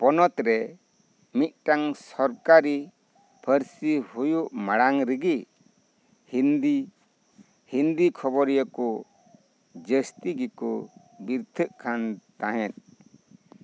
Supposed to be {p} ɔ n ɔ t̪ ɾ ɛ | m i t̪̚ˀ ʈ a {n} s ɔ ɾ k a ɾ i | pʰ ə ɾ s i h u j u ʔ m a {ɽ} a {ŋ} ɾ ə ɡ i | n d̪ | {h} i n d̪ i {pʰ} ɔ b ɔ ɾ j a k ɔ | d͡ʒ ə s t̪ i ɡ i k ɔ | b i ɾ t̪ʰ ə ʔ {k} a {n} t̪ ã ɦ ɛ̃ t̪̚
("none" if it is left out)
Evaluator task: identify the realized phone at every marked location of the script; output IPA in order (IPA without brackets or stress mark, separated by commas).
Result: p, ŋ, ɽ, ŋ, h, kʰ, kʰ, n